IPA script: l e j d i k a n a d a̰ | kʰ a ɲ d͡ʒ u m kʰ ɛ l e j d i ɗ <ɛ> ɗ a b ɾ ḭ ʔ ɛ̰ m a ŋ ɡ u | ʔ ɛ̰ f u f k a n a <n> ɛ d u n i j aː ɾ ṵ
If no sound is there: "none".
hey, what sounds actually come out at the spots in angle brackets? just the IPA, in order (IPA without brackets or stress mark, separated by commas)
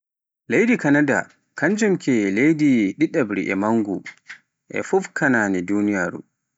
i, n